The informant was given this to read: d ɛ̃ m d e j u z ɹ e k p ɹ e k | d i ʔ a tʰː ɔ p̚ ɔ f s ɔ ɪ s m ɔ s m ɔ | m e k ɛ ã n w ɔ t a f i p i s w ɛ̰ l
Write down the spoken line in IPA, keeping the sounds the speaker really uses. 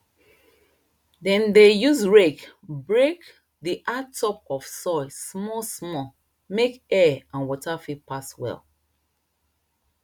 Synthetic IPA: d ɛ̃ n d e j u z ɹ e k b ɹ e k | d i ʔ a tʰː ɔ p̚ ɔ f s ɔ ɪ s m ɔ s m ɔ | m e k ɛ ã n w ɔ t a f i p a s w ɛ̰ l